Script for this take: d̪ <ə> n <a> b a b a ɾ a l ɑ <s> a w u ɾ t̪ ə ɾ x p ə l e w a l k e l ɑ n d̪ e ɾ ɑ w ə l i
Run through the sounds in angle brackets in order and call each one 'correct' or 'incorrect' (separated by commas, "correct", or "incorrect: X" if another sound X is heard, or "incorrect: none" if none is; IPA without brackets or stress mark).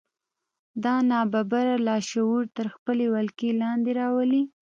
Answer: incorrect: ɑ, incorrect: ɑ, incorrect: ʃ